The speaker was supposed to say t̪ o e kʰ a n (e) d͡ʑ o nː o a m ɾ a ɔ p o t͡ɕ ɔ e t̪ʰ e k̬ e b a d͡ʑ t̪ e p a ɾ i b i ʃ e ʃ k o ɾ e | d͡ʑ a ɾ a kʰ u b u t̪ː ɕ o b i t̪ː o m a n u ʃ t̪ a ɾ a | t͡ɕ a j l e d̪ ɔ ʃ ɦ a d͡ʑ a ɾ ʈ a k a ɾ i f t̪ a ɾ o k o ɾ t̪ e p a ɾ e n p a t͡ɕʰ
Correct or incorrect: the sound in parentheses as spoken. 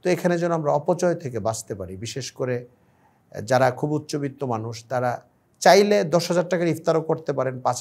correct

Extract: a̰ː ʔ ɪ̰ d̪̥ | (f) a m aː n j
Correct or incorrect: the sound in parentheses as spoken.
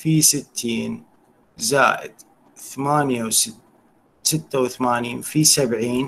incorrect: θ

